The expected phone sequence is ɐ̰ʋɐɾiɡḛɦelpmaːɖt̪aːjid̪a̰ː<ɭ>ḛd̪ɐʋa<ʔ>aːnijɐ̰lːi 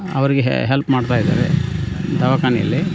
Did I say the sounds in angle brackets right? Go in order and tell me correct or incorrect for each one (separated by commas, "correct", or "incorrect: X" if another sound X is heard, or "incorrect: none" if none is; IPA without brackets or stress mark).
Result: incorrect: ɾ, incorrect: k